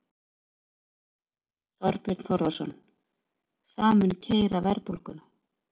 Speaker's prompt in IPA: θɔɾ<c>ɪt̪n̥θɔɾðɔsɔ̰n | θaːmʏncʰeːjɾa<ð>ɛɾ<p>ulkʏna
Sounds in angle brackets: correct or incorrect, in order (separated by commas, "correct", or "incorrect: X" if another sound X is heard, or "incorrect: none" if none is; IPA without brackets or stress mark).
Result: incorrect: p, incorrect: v, correct